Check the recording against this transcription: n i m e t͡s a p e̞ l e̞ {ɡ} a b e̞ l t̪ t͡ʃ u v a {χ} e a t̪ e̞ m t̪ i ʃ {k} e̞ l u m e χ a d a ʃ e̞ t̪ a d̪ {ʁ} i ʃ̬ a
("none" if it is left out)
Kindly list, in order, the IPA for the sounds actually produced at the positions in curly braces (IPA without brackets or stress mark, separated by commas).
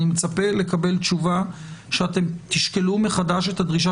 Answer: k, ʃ, k, ʁ